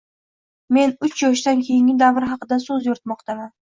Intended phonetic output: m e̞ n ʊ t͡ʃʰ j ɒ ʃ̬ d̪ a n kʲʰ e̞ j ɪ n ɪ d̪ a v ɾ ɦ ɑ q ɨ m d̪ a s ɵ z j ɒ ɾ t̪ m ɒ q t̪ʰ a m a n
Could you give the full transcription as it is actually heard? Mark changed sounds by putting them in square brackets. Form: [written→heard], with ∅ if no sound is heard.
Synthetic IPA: m e̞ n ʊ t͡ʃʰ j ɒ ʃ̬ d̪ a n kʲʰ e̞ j ɪ [n→ŋ] ɪ d̪ a v ɾ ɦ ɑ q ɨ [m→∅] d̪ a s ɵ z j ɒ ɾ t̪ m ɒ q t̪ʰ a m a n